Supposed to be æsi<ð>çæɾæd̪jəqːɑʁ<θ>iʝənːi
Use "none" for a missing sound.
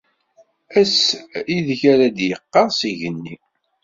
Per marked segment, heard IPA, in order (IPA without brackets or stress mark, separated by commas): ð, s